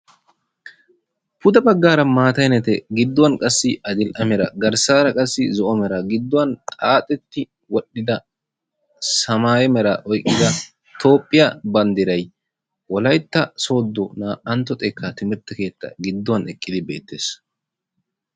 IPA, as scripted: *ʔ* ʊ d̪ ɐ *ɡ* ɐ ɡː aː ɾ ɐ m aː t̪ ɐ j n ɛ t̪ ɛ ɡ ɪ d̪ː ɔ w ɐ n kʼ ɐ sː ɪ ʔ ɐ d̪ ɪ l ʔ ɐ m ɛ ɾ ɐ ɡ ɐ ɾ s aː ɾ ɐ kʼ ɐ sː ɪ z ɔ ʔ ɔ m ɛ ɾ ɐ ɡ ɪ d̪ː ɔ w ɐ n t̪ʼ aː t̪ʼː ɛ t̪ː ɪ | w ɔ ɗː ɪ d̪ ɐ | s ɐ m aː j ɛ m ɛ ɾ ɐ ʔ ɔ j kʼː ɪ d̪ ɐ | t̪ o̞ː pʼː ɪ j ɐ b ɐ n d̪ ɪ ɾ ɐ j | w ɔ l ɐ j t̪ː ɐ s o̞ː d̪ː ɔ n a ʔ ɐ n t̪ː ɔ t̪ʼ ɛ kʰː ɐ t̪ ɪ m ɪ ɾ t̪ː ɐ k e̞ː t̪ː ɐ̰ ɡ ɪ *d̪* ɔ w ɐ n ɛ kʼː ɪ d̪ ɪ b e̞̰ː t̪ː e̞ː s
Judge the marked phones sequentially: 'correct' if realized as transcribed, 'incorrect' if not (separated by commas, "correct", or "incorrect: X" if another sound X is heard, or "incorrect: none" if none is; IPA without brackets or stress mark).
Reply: incorrect: p, incorrect: b, incorrect: d̪ː